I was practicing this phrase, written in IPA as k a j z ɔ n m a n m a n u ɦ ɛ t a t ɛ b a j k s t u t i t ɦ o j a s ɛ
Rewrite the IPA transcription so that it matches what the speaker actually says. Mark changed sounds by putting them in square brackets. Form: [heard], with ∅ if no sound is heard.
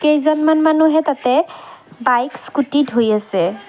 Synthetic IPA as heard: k [e] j z ɔ n m a n m a n u ɦ ɛ t a t ɛ b a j k s [k] u t i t ɦ o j a s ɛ